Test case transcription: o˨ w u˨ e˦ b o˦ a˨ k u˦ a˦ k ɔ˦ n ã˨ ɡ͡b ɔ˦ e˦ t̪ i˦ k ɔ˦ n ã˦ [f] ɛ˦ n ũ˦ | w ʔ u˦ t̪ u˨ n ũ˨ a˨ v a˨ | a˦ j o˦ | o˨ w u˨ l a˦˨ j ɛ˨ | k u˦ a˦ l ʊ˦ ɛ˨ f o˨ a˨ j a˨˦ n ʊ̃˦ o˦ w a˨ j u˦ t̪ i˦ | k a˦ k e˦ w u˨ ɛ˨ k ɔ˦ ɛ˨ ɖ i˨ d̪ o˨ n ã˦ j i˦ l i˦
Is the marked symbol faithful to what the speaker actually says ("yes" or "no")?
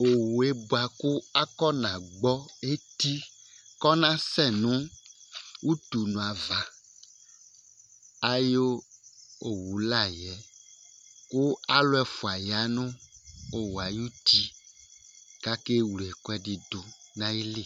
no